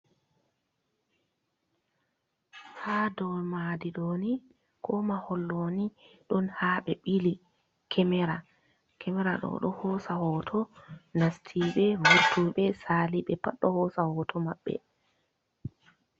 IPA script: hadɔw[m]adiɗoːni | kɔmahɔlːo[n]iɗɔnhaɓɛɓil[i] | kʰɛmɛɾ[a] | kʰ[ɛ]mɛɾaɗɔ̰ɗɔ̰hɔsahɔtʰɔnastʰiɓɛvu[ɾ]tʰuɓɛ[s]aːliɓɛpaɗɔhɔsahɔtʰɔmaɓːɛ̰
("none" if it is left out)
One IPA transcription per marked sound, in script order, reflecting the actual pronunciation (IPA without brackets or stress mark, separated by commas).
m, n, i, a, ɛ, ɾ, s